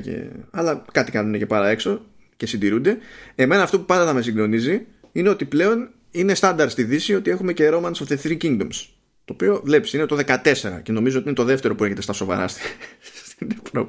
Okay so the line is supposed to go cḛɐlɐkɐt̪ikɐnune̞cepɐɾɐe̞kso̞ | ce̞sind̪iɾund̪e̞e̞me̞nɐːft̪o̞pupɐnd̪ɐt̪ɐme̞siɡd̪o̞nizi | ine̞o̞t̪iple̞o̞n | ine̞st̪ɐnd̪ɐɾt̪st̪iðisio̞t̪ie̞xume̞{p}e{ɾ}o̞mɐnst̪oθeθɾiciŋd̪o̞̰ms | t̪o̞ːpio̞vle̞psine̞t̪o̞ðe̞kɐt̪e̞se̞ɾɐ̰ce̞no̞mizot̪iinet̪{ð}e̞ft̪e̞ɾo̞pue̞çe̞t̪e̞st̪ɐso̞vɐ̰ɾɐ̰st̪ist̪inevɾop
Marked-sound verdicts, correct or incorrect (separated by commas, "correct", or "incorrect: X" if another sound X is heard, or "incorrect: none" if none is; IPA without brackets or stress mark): incorrect: c, correct, correct